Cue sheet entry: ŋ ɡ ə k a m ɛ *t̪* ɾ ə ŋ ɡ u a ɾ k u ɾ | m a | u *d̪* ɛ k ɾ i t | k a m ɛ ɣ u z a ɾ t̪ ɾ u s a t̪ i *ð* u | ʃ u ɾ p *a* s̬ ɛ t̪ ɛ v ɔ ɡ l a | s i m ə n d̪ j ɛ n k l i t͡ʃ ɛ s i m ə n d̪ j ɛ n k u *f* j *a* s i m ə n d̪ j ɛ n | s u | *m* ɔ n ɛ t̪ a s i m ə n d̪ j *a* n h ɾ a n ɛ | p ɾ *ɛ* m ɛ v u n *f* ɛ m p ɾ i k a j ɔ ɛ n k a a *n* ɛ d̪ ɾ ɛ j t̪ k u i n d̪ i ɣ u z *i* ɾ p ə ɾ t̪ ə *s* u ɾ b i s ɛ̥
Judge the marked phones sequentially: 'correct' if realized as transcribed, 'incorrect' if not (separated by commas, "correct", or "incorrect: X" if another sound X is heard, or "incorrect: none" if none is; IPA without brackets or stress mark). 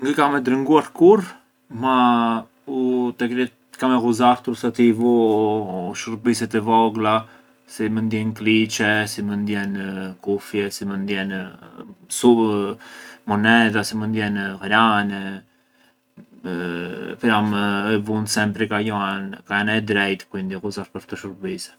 incorrect: d̪, incorrect: t̪, incorrect: v, incorrect: i, correct, incorrect: ɛ, correct, incorrect: ɛ, incorrect: a, incorrect: s, correct, incorrect: a, incorrect: ʃ